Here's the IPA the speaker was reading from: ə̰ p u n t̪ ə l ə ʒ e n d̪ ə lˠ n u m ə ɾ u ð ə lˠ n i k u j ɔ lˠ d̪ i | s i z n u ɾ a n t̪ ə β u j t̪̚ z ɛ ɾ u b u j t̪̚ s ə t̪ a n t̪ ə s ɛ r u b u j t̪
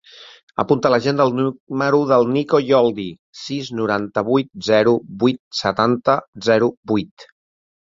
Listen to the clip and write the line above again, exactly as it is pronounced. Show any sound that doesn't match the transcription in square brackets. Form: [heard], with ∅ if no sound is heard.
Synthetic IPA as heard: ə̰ p u n t̪ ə l ə ʒ e n d̪ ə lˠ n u m ə ɾ u ð ə lˠ n i k [o] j ɔ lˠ d̪ i | s i z n u ɾ a n t̪ ə β u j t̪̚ z ɛ ɾ u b u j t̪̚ s ə t̪ a n t̪ ə [z] ɛ [ɾ] u b u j t̪